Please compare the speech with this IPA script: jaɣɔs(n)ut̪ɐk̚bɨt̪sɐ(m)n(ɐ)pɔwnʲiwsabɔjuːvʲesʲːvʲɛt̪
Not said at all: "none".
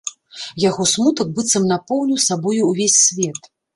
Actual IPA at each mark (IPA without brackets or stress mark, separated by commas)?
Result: m, m, a